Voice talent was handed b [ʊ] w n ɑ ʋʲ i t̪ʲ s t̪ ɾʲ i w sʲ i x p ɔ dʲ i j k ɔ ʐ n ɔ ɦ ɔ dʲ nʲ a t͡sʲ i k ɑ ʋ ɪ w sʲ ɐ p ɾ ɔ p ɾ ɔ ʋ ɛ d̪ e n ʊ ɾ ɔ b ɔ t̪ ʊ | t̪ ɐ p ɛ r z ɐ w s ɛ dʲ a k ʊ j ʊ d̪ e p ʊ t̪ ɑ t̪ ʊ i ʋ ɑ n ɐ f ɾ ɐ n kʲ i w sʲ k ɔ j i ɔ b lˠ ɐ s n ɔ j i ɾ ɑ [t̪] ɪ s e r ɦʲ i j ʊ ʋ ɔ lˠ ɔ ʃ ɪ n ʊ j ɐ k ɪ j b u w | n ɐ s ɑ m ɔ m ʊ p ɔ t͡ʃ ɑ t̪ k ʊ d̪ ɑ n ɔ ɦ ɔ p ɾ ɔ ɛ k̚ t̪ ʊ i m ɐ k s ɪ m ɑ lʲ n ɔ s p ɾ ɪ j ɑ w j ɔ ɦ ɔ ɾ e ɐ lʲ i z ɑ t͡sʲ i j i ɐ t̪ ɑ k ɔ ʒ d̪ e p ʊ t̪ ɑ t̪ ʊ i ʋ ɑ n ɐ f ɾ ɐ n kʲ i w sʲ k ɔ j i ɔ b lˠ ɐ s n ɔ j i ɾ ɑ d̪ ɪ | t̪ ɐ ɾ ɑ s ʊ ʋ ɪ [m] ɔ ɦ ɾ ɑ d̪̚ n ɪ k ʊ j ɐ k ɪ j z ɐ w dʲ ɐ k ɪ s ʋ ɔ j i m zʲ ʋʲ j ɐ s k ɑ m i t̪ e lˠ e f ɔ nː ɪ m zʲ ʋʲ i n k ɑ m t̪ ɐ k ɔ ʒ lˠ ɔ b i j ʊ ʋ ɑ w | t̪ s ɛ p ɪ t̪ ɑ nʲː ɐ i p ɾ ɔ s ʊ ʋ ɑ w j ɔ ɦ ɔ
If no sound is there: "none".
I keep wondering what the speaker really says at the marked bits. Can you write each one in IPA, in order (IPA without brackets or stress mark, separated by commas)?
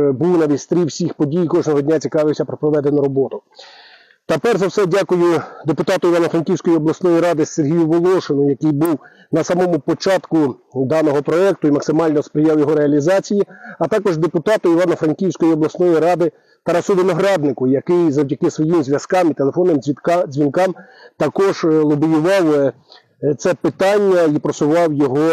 u, d̪, n